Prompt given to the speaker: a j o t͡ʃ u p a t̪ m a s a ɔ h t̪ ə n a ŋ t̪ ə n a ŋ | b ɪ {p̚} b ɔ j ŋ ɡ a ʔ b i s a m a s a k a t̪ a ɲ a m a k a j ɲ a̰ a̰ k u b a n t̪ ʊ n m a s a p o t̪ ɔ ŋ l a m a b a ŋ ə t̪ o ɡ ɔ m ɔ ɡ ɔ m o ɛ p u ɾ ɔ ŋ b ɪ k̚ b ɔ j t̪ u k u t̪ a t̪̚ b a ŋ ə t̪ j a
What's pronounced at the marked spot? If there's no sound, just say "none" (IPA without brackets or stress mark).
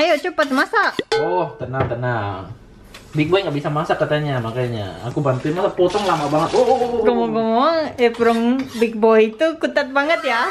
k̚